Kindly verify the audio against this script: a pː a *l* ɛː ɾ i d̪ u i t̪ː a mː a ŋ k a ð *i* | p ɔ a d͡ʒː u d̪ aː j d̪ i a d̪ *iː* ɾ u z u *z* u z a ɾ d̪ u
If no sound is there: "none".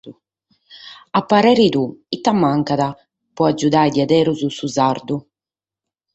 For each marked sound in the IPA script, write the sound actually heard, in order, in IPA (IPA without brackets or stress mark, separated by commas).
ɾ, a, ɛː, s